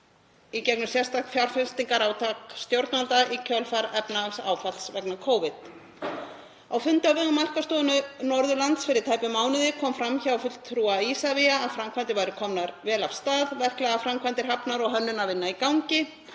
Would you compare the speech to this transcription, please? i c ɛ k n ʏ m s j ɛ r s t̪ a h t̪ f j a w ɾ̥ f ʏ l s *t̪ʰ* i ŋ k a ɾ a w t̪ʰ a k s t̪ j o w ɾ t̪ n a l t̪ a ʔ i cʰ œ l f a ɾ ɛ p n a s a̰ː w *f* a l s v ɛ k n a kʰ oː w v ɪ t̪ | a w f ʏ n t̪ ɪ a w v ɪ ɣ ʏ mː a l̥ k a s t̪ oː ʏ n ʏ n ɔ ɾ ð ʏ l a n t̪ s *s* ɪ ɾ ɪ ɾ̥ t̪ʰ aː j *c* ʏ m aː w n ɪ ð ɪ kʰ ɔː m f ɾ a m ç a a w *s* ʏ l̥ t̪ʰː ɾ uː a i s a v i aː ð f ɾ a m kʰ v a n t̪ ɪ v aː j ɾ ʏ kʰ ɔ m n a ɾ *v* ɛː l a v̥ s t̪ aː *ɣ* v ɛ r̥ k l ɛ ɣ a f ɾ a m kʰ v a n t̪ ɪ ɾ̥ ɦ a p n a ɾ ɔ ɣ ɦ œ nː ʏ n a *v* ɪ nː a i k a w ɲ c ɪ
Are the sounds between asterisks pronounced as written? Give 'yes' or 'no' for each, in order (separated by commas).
no, yes, no, no, no, yes, no, yes